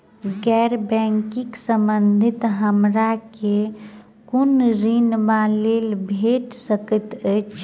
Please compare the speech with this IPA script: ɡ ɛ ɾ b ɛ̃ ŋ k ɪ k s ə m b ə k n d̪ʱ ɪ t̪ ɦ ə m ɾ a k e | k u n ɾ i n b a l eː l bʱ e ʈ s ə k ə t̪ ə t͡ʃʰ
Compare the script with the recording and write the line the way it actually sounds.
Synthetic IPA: ɡ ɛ ɾ b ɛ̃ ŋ k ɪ k s ə m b ə n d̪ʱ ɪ t̪ ɦ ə m ɾ a k e | k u n ɾ i n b a l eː l bʱ e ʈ s ə k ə t̪ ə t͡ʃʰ